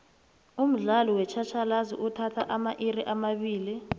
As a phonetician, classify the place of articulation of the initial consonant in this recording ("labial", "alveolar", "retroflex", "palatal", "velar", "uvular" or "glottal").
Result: labial